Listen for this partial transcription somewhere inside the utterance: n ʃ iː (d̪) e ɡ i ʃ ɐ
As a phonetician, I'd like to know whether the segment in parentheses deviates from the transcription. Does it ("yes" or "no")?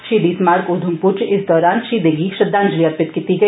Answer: no